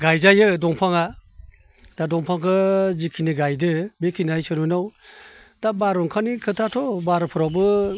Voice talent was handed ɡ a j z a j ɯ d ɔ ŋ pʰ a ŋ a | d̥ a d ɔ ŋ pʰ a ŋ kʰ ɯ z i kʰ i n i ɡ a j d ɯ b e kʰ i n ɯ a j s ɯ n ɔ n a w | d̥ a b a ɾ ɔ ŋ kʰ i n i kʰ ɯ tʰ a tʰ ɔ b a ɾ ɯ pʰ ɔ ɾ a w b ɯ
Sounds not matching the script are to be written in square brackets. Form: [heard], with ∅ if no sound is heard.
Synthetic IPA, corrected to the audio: ɡ a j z a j ɯ d ɔ ŋ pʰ a ŋ a | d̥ a d ɔ ŋ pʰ a ŋ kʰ ɯ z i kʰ i n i ɡ a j d ɯ b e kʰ i n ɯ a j s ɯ n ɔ n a w | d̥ a b a ɾ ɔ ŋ kʰ [a] n i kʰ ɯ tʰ a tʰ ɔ b a ɾ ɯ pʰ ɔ ɾ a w b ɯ